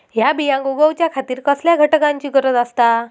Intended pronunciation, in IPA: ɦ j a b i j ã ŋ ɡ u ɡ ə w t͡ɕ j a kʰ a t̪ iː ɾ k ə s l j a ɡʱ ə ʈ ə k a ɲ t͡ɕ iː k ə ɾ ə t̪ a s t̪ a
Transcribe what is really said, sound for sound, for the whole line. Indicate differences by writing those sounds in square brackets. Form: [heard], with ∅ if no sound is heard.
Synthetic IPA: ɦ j a b i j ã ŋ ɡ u ɡ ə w t͡ɕ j a kʰ a t̪ iː ɾ k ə s l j a ɡʱ ə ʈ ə k a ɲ t͡ɕ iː k ə ɾ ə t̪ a s t̪ a